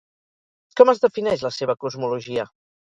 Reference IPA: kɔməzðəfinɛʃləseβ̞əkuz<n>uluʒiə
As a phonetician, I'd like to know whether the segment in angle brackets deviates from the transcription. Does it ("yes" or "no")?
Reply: yes